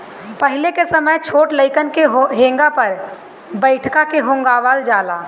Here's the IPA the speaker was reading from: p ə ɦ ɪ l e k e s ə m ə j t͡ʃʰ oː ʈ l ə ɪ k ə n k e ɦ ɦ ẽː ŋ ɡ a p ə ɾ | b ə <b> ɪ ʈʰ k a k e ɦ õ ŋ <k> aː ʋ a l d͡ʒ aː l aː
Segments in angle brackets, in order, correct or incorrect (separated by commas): incorrect, incorrect